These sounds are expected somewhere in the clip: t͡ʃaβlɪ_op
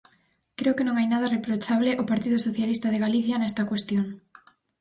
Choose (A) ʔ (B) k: A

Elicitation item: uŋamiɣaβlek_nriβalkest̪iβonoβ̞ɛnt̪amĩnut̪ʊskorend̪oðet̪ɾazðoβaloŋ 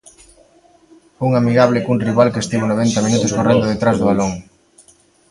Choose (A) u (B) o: A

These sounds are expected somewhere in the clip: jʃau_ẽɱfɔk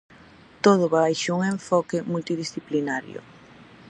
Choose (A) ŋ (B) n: A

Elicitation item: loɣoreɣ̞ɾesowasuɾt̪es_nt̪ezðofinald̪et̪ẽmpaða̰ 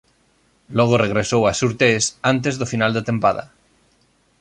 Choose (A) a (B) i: A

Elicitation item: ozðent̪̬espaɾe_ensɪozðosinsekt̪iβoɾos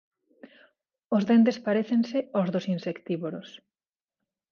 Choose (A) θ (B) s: A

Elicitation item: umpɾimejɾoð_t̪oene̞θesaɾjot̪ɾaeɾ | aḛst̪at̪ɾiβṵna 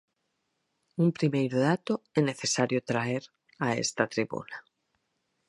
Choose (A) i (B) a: B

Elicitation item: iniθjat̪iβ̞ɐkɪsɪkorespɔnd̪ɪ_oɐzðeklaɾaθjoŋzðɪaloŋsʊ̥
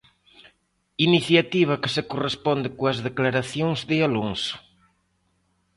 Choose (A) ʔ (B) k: B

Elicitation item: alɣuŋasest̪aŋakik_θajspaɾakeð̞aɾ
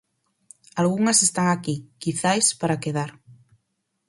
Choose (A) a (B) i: B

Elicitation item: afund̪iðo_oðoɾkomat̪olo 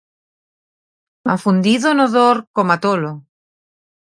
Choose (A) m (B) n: B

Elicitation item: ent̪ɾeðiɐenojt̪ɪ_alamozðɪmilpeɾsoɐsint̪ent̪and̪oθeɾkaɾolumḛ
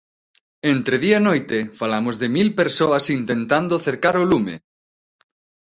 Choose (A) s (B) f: B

